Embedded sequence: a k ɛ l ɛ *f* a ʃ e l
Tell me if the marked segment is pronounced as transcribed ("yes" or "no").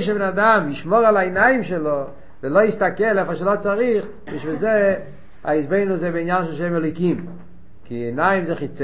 yes